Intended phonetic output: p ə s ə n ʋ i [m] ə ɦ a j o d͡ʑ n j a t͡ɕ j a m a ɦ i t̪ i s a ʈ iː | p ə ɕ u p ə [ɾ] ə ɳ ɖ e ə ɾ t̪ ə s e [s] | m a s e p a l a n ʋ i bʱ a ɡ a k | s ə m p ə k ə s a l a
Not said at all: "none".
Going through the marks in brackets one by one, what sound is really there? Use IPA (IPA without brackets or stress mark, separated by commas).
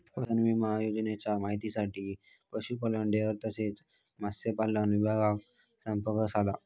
m, l, t͡s